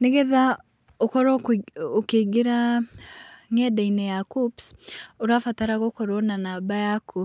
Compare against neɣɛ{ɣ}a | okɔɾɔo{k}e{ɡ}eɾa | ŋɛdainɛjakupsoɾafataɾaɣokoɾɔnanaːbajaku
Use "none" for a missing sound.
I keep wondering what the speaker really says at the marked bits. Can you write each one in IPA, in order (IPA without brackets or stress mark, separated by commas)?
ð, k, ɡ